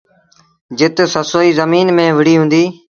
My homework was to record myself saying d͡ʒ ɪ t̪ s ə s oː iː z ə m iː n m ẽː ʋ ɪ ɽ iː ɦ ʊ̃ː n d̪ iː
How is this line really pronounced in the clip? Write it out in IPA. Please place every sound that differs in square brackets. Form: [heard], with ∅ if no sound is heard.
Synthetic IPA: d͡ʒ ɪ t̪ s ə s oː iː z ə m iː n m ẽː ʋ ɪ ɽ iː ɦ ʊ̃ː n d̪ iː